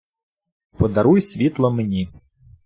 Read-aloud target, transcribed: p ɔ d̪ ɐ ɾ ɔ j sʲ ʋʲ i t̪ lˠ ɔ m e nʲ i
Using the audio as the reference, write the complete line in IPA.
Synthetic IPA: p ɔ d̪ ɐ ɾ u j sʲ ʋʲ i t̪ lˠ ɔ m e nʲ i